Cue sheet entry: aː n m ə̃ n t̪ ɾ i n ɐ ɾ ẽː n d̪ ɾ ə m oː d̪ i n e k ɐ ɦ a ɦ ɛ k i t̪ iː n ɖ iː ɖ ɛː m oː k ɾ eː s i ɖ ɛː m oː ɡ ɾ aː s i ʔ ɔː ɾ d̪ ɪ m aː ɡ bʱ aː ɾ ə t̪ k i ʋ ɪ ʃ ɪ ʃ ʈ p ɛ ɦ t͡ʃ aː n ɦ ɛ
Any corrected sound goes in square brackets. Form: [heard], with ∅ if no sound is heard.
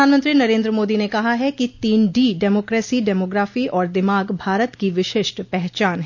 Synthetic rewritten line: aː n m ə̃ n t̪ ɾ i n ɐ ɾ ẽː n d̪ ɾ ə m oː d̪ i n e k ɐ ɦ a ɦ ɛ k i t̪ iː n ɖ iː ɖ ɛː m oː k ɾ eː s i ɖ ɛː m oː ɡ ɾ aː [f] i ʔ ɔː ɾ d̪ ɪ m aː ɡ bʱ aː ɾ ə t̪ k i ʋ ɪ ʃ ɪ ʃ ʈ p ɛ ɦ t͡ʃ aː n ɦ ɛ